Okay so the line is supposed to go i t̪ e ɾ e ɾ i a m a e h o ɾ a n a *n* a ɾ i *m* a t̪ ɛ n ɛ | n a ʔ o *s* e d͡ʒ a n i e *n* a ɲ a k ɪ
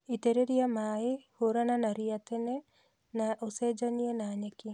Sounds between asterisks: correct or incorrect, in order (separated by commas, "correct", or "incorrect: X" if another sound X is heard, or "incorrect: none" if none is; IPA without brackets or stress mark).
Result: correct, incorrect: none, correct, correct